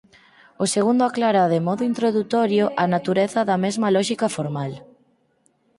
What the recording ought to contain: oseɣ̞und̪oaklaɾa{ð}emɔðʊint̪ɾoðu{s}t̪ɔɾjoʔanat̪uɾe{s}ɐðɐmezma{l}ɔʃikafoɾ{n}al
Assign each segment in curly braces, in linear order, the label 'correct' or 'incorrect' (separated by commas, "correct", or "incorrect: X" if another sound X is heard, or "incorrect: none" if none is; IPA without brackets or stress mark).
correct, incorrect: none, incorrect: θ, correct, incorrect: m